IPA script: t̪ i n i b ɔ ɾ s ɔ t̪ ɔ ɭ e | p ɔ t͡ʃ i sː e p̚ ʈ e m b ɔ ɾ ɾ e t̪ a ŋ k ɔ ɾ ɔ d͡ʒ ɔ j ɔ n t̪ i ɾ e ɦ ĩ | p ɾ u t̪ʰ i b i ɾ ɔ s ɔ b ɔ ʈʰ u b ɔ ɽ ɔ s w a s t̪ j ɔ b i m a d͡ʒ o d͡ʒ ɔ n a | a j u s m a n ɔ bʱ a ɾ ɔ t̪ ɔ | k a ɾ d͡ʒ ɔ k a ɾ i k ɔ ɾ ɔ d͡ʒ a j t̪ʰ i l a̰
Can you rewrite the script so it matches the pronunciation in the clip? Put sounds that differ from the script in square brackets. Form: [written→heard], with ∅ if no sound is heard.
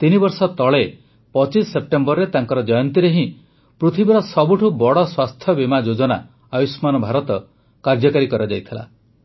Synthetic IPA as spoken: t̪ i n i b ɔ ɾ s ɔ t̪ ɔ ɭ e | p ɔ t͡ʃ i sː e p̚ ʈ e m b ɔ ɾ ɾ e t̪ a ŋ k ɔ ɾ ɔ d͡ʒ ɔ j ɔ n t̪ i ɾ e ɦ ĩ | p ɾ u t̪ʰ i b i ɾ ɔ s ɔ b [ɔ→u] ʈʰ u b ɔ ɽ ɔ s w a s [t̪→t̪ʰ] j ɔ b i m a d͡ʒ o d͡ʒ ɔ n a | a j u s m a n ɔ bʱ a ɾ ɔ t̪ ɔ | k a ɾ d͡ʒ ɔ k a ɾ i k ɔ ɾ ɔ d͡ʒ a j t̪ʰ i l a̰